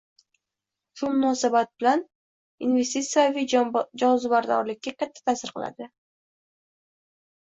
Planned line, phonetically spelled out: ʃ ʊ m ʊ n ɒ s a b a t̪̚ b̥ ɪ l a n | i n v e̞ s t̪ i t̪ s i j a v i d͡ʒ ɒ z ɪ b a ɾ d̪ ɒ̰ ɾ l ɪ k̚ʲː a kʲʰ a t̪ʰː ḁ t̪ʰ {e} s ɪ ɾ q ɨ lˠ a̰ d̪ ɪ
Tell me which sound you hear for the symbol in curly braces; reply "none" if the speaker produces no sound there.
a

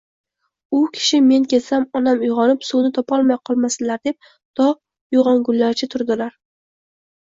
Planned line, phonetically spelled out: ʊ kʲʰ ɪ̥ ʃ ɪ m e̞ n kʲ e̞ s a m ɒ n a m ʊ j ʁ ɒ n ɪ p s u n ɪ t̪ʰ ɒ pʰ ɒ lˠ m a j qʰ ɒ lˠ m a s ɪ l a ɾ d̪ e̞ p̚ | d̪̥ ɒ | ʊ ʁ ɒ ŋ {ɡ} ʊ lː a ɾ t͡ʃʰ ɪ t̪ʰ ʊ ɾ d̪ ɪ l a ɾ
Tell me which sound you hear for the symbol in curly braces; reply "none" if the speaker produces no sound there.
ɡ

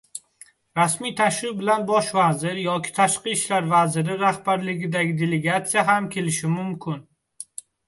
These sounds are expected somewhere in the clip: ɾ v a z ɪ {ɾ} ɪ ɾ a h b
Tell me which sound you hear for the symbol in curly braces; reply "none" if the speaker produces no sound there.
ɾ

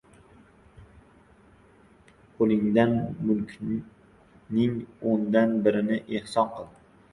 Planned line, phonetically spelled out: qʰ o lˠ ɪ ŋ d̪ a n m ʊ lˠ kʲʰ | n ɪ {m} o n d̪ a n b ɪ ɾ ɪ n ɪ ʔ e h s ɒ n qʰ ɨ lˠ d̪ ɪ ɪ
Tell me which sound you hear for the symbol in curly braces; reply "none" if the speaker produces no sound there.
ŋ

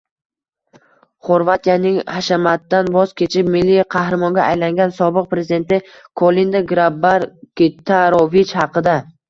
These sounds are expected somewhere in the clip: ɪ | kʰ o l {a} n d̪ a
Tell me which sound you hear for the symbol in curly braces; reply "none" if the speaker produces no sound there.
i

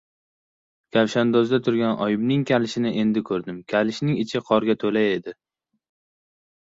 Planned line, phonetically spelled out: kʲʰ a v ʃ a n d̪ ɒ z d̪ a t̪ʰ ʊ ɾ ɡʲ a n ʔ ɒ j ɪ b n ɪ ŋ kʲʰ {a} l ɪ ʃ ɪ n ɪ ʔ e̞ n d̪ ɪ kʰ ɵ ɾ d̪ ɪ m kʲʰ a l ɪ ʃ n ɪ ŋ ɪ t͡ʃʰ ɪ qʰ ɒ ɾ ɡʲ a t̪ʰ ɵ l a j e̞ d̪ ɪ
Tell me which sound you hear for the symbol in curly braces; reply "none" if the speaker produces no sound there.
a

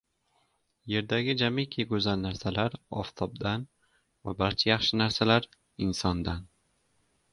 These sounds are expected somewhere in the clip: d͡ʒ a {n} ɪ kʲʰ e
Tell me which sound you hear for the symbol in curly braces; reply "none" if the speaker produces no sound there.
m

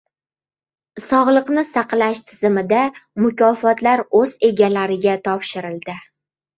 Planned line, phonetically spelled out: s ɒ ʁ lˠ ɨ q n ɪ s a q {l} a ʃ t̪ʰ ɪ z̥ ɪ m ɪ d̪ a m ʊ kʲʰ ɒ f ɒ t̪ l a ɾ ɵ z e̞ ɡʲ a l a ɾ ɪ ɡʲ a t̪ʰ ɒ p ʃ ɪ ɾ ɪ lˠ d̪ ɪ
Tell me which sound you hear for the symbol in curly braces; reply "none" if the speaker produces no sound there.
l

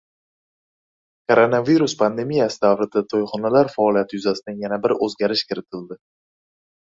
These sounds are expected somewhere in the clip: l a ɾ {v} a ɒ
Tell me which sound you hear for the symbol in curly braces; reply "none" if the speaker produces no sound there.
f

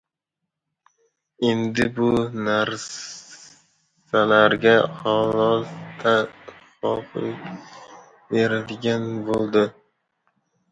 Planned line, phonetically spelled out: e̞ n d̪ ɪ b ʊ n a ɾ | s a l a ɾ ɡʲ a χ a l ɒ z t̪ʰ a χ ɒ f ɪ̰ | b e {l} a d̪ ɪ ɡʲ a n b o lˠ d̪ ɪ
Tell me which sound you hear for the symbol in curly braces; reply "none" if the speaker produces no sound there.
ɾ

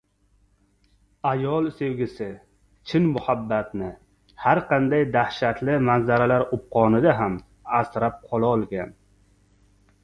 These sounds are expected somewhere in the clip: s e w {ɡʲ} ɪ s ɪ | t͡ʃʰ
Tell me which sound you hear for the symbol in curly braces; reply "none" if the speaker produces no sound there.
ɡʲ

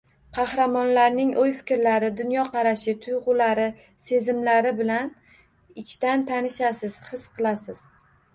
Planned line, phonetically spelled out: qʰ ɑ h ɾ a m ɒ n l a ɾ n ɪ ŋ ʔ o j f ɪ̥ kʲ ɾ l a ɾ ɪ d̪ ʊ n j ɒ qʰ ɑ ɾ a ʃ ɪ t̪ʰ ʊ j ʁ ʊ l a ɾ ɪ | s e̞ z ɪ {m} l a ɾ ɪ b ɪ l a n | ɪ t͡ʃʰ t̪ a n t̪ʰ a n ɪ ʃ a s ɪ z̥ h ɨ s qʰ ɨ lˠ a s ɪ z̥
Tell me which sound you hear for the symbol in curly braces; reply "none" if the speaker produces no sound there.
m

